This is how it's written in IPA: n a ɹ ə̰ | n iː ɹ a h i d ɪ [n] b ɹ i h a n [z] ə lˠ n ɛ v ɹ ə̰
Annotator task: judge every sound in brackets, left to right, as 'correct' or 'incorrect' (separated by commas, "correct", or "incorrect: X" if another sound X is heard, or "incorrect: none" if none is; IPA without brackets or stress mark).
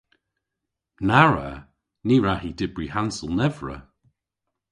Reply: incorrect: none, incorrect: s